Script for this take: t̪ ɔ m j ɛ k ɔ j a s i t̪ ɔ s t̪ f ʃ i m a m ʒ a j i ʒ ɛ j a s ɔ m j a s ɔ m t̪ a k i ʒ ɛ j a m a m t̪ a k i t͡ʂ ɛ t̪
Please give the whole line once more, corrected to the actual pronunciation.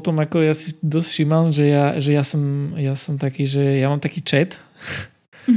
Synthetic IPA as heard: t̪ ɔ m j a k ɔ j a s i d̪ ɔ s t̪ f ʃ i m a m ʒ ɛ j a ʒ ɛ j a s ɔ m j a s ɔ m t̪ a k i ʒ ɛ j a m a m t̪ a k i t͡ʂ ɛ t̪